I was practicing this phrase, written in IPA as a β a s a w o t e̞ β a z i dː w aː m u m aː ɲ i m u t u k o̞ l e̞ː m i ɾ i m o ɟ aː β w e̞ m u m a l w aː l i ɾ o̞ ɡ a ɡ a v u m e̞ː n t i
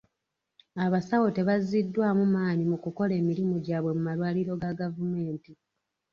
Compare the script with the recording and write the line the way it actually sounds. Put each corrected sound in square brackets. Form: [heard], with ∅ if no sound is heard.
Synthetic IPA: a β a s a w o t e̞ β a z i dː w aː m u m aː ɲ i m u [k] u k o̞ l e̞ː m i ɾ i m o ɟ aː β w e̞ m u m a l w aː l i ɾ o̞ ɡ a ɡ a v u m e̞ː n t i